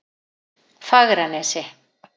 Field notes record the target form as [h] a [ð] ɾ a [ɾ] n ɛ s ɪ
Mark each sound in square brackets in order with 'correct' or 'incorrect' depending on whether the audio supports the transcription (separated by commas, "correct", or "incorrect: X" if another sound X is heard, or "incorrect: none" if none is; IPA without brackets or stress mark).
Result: incorrect: f, incorrect: ɣ, incorrect: none